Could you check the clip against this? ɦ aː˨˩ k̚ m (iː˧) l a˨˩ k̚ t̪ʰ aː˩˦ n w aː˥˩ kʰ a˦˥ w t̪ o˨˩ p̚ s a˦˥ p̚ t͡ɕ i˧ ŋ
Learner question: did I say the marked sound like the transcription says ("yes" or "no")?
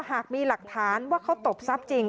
yes